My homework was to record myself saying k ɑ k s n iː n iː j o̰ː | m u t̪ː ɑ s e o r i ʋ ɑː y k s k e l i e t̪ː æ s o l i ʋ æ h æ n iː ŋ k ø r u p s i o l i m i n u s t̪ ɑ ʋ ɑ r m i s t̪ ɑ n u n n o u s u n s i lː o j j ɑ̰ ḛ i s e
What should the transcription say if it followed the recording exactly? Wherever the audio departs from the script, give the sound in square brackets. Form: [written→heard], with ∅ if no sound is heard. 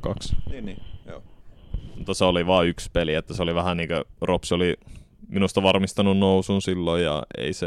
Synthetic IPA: k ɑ k s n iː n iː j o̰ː | m u t̪ː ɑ s e o [r→l] i ʋ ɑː y k s [k→p] e l i e t̪ː æ s o l i ʋ æ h æ n iː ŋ k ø r [u→o] p s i o l i m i n u s t̪ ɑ ʋ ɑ r m i s t̪ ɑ n u n n o u s u n s i lː o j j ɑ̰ ḛ i s e